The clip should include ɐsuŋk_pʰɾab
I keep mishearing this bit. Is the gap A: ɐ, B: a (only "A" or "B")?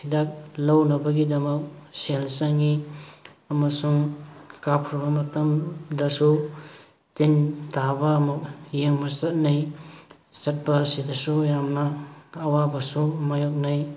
B